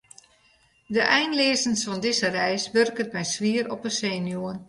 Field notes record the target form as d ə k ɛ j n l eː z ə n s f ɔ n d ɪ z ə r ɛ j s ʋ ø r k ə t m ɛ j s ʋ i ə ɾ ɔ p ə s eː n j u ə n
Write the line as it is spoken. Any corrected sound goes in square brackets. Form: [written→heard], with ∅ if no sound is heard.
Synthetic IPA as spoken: d ə [k→ʔ] ɛ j n l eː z ə n s f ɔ n d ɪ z ə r ɛ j s ʋ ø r k ə t m ɛ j s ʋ i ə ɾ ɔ p ə s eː n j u ə n